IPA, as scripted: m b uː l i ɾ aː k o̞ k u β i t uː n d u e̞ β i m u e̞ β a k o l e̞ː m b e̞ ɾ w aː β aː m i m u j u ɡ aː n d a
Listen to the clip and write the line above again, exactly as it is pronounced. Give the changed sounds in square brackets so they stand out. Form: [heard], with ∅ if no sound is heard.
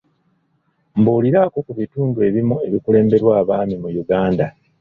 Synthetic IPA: m b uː l i ɾ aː k o̞ k u β i t uː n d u e̞ β i m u e̞ β [i] k [u] l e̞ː m b e̞ ɾ w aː β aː m i m u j u ɡ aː n d a